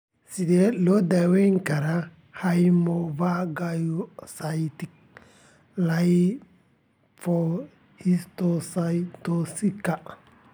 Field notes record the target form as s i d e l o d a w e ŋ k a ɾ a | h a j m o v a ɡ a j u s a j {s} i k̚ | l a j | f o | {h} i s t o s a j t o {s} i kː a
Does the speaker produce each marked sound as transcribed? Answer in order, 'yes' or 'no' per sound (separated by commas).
no, yes, yes